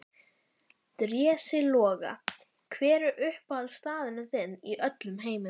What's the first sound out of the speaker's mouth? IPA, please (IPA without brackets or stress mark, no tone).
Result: t̪